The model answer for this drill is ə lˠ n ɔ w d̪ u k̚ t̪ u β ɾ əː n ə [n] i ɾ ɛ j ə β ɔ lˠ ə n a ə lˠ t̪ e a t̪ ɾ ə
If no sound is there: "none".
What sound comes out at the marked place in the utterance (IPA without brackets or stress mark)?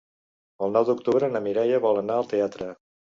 m